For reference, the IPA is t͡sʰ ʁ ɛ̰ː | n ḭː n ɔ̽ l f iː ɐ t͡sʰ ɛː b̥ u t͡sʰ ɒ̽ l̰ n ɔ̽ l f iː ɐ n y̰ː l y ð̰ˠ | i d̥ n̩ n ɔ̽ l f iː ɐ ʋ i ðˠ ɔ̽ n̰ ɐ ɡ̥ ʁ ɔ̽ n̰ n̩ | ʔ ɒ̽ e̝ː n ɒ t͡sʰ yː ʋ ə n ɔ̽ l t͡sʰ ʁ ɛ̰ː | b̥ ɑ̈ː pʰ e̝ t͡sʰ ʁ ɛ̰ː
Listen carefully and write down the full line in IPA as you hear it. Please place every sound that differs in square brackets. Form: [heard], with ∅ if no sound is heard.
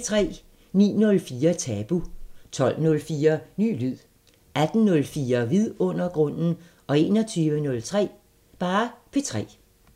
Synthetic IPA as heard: t͡sʰ ʁ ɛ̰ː | n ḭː n ɔ̽ l f iː ɐ t͡sʰ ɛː b̥ u t͡sʰ ɒ̽ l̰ n ɔ̽ l f iː ɐ n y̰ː l y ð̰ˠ | [æ] d̥ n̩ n ɔ̽ l f iː ɐ ʋ i ðˠ ɔ̽ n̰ ɐ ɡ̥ ʁ ɔ̽ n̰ n̩ | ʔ ɒ̽ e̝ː n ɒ t͡sʰ yː ʋ ə n ɔ̽ l t͡sʰ ʁ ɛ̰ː | b̥ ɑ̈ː pʰ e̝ t͡sʰ ʁ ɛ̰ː